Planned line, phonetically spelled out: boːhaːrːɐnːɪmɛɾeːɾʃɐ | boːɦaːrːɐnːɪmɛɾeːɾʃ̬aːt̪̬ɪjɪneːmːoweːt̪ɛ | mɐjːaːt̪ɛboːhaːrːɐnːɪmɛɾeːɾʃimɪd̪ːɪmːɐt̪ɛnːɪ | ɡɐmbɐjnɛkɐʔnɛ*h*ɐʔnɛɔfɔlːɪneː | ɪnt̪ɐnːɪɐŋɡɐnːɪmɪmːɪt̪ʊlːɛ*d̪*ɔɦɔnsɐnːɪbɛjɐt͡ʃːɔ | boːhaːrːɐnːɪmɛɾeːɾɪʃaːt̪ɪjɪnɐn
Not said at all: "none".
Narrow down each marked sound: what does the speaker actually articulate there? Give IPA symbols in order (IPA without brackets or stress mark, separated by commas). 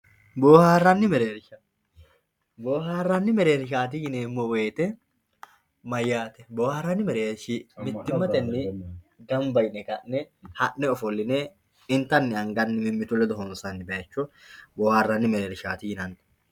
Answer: h, d̪